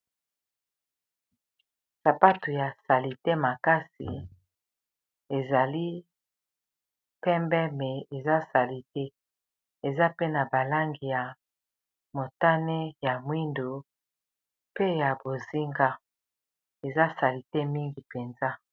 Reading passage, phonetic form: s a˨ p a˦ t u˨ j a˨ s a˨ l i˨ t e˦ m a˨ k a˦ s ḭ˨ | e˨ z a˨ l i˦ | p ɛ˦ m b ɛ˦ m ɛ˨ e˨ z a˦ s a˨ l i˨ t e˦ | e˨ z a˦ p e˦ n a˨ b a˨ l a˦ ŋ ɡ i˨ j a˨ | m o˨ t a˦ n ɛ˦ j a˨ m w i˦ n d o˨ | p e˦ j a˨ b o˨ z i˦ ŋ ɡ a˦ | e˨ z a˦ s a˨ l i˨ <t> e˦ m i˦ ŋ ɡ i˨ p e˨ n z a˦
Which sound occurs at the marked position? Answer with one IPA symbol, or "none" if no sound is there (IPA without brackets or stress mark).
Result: t